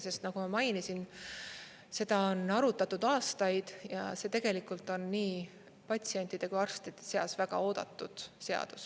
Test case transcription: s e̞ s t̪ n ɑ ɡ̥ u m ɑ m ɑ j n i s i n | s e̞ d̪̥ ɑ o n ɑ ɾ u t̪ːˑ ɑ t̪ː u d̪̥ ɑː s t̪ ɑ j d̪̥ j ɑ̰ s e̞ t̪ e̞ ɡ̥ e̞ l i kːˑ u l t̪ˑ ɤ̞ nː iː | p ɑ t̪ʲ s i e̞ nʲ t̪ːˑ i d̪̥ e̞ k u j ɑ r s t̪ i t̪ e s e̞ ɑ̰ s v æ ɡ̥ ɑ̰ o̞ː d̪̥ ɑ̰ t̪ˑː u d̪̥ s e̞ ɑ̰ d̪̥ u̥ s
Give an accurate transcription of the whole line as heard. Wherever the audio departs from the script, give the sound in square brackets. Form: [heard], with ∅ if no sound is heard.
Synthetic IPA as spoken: s e̞ s t̪ n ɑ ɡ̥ u m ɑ m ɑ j n i s i n | s e̞ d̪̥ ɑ o n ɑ ɾ u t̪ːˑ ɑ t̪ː u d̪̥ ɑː s t̪ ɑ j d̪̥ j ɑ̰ s e̞ t̪ e̞ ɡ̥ e̞ l i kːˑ u l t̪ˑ [o̞] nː iː | p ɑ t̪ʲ s i e̞ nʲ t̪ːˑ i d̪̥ e̞ k u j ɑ r s t̪ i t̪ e s e̞ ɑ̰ s v æ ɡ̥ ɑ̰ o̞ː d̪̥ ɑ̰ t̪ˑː u d̪̥ s e̞ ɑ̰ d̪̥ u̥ s